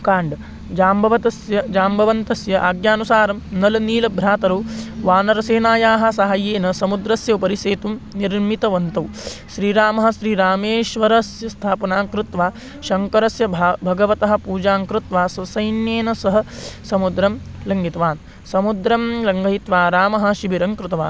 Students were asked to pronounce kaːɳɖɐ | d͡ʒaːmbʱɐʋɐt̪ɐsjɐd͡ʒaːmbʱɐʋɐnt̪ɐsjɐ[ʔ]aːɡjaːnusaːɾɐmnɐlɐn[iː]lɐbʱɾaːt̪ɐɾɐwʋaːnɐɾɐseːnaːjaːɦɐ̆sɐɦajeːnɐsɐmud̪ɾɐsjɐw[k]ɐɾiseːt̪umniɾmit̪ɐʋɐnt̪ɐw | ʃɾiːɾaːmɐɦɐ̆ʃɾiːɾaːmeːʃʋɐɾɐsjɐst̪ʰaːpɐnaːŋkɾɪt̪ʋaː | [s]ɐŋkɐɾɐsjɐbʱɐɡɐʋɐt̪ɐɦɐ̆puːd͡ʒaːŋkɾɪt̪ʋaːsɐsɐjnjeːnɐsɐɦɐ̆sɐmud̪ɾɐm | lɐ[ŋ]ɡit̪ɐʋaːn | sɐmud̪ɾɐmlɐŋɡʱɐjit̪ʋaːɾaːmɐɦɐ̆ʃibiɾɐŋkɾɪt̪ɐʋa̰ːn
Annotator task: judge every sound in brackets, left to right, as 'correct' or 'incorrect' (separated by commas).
correct, correct, incorrect, incorrect, correct